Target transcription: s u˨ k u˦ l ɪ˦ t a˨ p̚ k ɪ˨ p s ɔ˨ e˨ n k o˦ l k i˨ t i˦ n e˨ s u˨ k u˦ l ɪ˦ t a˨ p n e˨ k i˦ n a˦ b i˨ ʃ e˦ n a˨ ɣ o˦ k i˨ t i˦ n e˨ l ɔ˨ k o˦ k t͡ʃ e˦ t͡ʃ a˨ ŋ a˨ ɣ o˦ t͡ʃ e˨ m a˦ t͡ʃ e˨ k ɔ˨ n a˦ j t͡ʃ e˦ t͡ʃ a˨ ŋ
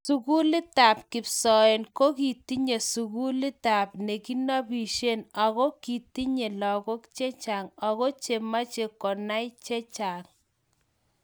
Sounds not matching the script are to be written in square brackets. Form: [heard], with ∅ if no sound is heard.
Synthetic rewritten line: s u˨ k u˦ l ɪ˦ t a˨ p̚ k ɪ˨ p s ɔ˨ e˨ n k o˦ [∅] k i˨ t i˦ [ɲ] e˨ s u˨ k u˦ l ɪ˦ t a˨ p n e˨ k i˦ n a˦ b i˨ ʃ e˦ n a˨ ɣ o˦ k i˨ t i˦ [ɲ] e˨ l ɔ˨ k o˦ k t͡ʃ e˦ t͡ʃ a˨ ŋ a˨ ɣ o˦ t͡ʃ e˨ m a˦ t͡ʃ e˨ k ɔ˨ n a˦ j t͡ʃ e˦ t͡ʃ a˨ ŋ